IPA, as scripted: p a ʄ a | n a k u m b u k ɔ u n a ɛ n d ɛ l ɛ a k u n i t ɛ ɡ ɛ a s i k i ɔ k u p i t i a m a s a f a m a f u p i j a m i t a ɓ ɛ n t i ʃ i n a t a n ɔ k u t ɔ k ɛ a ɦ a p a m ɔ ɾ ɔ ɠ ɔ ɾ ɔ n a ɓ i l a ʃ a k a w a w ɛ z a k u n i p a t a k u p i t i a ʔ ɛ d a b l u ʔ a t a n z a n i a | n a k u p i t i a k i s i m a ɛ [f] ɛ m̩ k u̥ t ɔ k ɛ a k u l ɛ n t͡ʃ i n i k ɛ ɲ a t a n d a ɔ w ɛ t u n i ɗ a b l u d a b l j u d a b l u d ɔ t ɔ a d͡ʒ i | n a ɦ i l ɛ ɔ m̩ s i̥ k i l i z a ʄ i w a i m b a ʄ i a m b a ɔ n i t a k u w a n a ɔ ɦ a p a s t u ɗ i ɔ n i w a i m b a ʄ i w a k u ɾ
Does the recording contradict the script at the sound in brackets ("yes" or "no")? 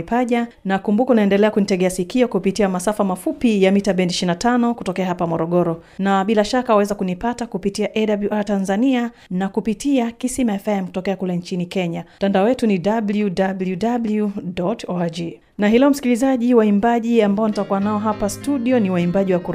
no